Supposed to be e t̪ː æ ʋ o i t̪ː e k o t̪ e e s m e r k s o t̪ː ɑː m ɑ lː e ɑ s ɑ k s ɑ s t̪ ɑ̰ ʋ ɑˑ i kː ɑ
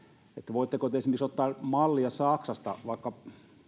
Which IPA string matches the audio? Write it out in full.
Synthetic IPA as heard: e t̪ː æ ʋ o i t̪ː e k o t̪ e e s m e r k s o t̪ː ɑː m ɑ lː i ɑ s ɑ k s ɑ s t̪ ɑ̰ ʋ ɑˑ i kː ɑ